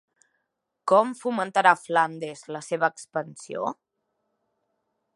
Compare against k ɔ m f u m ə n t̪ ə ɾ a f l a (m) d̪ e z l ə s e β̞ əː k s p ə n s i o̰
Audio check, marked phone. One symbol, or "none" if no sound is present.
n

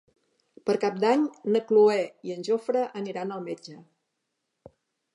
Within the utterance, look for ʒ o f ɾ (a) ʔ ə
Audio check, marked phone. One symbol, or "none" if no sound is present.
ə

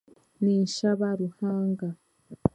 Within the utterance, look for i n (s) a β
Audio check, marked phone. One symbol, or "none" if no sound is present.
ʃ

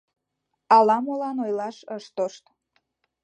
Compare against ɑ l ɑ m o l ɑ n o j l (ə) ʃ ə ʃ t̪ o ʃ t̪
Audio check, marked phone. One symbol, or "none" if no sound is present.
ɑ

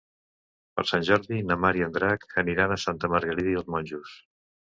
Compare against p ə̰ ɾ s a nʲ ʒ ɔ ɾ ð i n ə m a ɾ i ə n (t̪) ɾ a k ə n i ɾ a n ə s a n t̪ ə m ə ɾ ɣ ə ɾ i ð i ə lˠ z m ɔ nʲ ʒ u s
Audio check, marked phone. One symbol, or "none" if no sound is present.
d̪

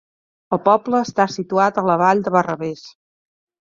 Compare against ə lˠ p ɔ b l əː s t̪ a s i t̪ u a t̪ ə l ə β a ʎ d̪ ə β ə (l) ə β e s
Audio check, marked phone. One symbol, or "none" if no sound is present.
r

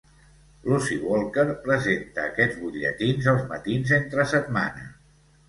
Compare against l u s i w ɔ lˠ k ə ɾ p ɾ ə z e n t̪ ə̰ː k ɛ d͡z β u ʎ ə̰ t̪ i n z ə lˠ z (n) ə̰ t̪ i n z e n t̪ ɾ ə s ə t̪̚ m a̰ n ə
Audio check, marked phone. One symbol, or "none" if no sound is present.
m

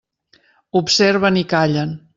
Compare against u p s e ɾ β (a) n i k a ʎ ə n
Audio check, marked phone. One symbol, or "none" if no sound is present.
ə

